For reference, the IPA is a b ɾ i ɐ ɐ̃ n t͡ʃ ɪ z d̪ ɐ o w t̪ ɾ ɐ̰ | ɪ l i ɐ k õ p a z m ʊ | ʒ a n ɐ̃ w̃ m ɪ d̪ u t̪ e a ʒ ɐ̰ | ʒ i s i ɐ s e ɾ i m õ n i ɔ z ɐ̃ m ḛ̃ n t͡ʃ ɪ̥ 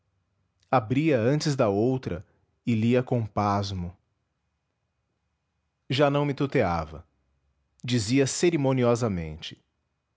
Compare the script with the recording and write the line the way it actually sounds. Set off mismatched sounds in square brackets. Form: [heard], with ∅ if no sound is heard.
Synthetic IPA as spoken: a b ɾ i ɐ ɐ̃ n t͡ʃ ɪ z d̪ ɐ o w t̪ ɾ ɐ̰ | ɪ l i ɐ k õ p a z m ʊ | ʒ a n ɐ̃ w̃ m ɪ [t̪] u t̪ e a [v] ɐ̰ | [d͡ʒ] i [z] i ɐ s e ɾ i m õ n i ɔ z [ɐ] m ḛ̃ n t͡ʃ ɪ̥